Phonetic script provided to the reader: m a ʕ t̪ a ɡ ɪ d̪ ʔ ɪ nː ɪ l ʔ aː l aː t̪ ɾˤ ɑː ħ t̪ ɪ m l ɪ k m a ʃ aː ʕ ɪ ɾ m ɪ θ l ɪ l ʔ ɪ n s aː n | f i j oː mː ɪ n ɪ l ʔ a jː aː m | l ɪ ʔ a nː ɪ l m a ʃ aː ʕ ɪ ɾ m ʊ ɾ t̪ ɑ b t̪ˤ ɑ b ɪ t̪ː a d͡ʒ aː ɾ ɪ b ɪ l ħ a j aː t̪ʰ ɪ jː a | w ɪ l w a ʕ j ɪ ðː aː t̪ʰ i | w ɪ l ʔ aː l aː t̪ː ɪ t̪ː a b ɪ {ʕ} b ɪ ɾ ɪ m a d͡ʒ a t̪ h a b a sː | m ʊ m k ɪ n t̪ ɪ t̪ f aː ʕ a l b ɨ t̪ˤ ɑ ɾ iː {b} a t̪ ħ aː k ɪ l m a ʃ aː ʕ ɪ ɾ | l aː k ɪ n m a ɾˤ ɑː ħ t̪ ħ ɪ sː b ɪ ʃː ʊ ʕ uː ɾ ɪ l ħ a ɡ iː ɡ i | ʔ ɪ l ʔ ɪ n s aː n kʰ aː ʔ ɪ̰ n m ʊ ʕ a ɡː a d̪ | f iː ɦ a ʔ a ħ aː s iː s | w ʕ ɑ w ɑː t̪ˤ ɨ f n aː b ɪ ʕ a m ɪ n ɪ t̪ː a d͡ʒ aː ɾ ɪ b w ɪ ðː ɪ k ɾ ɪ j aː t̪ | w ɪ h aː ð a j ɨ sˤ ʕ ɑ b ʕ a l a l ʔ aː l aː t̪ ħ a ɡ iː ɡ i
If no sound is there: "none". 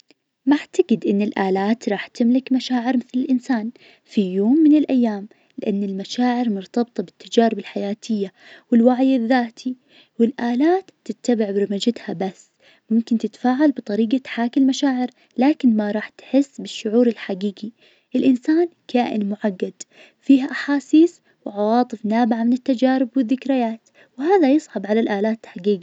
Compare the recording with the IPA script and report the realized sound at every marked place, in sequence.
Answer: ʕ, ɡ

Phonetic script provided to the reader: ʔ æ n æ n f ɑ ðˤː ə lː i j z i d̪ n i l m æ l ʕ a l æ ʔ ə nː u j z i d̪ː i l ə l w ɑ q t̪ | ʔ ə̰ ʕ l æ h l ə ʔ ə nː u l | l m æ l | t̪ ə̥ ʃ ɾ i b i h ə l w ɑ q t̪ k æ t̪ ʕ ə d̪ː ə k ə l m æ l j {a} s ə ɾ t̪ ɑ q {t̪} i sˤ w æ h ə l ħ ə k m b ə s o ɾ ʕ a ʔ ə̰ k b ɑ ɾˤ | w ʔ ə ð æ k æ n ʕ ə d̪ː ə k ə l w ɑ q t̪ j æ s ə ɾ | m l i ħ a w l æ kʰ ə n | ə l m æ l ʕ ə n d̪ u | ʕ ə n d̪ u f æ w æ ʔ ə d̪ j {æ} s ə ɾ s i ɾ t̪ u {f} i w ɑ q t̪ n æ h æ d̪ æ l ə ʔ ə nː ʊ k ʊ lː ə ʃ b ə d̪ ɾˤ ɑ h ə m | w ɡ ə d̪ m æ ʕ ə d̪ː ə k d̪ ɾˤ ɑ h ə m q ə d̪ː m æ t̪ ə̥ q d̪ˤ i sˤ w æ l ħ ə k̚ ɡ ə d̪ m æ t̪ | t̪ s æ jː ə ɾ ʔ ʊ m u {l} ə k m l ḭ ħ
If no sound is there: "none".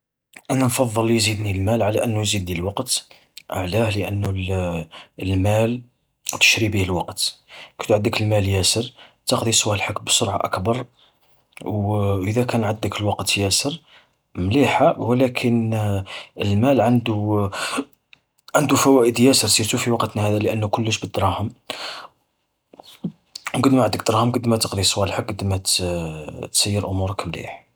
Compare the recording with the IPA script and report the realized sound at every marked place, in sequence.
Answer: æ, d̪, æ, f, ɾ

